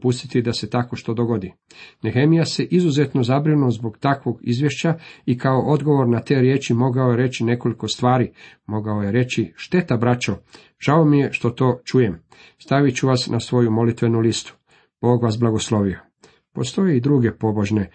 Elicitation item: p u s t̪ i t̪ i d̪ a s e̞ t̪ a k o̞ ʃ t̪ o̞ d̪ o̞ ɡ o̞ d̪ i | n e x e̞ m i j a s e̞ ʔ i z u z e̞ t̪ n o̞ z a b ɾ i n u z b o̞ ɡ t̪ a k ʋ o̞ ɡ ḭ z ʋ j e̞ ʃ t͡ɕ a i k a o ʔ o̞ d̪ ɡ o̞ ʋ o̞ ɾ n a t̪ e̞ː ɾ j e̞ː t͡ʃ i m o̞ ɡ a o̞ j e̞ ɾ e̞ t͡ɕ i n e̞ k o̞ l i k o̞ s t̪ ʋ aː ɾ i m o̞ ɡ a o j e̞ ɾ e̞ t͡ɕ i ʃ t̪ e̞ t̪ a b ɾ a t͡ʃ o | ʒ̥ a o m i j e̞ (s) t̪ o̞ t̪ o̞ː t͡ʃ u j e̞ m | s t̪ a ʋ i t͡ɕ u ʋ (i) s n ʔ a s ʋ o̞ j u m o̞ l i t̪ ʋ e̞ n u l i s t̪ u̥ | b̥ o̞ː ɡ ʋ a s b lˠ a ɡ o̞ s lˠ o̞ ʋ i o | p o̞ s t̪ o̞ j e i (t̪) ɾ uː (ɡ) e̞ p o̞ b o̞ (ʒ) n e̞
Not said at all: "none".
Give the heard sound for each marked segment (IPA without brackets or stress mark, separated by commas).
ʃ, a, d̪, ɡ, ʒ